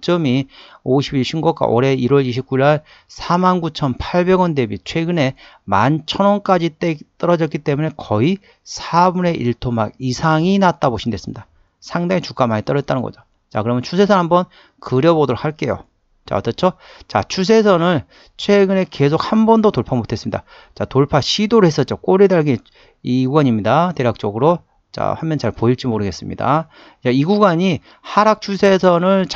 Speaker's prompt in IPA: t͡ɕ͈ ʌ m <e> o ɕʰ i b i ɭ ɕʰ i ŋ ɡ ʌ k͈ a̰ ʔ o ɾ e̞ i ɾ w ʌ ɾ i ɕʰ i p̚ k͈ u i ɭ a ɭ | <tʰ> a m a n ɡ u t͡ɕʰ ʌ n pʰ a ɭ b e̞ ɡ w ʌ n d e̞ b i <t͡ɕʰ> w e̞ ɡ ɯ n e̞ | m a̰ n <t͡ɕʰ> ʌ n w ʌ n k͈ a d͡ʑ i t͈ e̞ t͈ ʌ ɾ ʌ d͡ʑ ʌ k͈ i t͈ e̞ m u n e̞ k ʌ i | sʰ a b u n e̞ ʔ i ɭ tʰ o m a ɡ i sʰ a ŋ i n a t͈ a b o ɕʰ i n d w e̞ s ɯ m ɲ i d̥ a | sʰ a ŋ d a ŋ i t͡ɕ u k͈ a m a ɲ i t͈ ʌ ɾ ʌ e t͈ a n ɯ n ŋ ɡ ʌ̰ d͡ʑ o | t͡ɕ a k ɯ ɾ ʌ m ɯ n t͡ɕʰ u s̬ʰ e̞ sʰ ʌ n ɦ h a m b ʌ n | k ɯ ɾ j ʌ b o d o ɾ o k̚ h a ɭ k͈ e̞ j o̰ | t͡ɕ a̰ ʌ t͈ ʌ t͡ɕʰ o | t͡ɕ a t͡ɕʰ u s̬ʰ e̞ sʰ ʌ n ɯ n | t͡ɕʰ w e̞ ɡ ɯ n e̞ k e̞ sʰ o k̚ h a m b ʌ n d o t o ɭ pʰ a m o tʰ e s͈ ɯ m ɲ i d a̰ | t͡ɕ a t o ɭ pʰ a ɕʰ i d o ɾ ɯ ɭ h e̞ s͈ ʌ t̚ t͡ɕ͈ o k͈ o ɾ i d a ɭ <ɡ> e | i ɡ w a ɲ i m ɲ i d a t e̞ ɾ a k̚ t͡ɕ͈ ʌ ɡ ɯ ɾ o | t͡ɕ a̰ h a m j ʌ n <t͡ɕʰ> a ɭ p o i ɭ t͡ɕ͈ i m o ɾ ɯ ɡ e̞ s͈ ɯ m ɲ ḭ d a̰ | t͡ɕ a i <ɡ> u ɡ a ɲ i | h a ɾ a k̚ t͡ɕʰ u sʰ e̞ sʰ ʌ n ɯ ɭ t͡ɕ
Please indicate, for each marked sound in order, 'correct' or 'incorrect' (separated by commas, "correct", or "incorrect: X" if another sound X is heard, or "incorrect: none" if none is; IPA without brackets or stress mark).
incorrect: i, incorrect: sʰ, correct, correct, correct, incorrect: t͡ɕ, correct